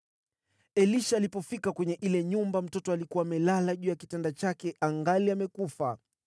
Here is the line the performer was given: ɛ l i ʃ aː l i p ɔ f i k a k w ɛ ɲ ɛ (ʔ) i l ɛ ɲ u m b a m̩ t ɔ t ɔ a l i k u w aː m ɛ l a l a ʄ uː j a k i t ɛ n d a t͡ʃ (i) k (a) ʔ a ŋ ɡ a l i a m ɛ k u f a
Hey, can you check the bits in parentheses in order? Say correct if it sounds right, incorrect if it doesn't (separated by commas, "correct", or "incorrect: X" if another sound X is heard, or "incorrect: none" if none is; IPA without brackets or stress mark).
correct, incorrect: a, incorrect: ɛ